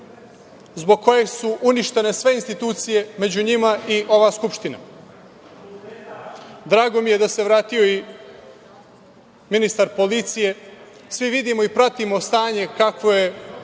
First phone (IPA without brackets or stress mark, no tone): z